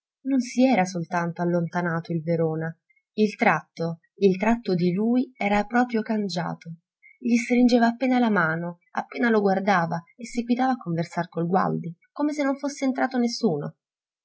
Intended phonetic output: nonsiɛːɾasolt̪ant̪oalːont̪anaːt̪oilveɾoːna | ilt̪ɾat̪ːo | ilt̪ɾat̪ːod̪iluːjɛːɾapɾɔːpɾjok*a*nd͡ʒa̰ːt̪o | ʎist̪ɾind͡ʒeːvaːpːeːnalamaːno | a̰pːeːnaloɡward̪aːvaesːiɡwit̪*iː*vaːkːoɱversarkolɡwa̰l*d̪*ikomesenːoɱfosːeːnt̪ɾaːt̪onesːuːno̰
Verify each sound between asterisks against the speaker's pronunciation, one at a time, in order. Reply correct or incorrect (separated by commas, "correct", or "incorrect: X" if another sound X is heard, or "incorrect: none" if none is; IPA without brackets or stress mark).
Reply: correct, incorrect: aː, correct